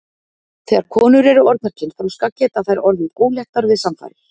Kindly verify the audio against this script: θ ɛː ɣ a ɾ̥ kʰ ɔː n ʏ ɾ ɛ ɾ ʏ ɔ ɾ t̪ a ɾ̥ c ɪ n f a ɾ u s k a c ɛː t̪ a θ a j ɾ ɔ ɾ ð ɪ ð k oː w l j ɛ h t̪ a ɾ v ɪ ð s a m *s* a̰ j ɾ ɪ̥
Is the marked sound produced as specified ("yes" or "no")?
no